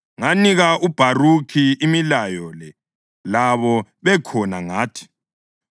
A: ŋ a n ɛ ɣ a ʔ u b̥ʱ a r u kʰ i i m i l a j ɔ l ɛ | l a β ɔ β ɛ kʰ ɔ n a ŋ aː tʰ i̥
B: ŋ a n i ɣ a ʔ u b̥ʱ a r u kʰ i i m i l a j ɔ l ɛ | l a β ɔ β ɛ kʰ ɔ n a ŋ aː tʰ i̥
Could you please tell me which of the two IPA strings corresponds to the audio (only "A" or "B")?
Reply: B